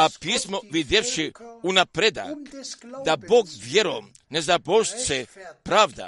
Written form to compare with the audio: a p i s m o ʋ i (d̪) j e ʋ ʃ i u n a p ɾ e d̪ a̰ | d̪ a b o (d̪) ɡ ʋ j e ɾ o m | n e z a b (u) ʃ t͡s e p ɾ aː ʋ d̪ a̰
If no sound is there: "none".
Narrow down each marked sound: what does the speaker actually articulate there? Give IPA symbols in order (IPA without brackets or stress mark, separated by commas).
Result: d̪, none, o